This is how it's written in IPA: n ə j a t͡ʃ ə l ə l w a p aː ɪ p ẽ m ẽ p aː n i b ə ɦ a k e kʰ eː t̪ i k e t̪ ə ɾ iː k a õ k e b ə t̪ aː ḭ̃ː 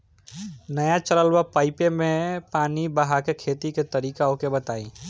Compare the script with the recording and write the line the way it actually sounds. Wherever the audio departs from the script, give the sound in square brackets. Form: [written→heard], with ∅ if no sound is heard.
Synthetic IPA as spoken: n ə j a t͡ʃ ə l ə l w a p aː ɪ p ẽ m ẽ p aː n i b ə ɦ a k e kʰ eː t̪ i k e t̪ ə ɾ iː k a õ k e b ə t̪ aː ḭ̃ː